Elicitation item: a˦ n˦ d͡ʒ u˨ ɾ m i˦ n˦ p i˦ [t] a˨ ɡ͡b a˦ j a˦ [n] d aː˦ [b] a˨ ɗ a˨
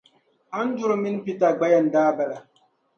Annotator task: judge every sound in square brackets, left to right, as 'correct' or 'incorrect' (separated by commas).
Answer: correct, correct, correct